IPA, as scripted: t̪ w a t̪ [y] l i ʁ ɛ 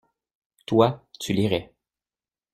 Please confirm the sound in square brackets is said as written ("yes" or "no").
yes